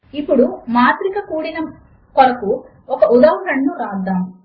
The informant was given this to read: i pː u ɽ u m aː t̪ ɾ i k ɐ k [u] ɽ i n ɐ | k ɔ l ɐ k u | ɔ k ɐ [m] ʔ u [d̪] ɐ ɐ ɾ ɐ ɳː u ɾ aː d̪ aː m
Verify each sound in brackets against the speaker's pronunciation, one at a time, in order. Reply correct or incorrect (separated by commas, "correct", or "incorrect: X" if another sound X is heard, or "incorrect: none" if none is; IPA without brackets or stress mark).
incorrect: uː, incorrect: none, correct